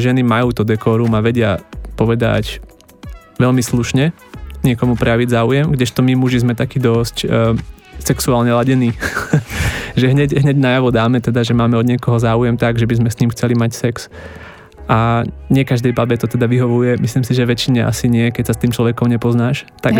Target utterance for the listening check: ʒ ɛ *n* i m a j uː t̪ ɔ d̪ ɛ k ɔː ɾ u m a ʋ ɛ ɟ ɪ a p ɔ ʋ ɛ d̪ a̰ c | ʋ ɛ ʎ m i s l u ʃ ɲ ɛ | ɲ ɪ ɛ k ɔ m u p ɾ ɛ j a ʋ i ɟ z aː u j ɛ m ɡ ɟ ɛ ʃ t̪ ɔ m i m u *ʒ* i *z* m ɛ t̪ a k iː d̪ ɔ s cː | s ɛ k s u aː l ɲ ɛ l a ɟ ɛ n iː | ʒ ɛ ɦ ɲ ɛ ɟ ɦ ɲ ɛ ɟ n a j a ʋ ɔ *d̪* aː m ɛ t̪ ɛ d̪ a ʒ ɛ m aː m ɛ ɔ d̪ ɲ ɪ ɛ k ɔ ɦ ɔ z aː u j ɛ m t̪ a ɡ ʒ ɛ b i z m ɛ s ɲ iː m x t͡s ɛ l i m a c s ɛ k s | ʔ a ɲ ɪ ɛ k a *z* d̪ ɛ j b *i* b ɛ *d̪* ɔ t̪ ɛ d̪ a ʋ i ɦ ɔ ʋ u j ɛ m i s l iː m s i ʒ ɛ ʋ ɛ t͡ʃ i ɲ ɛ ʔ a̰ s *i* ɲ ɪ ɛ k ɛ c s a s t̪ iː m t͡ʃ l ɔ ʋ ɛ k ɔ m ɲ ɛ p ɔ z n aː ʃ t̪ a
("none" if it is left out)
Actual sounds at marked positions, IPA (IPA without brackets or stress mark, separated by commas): n, ʒ, z, d̪, ʒ, a, t̪, i